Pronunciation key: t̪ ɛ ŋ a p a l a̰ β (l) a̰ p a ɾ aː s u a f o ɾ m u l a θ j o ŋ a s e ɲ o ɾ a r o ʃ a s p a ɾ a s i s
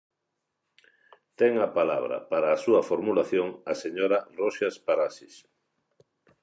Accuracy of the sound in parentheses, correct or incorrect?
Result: incorrect